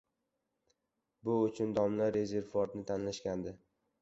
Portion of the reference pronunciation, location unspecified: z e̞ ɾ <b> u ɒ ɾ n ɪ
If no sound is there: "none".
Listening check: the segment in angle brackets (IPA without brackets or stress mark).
v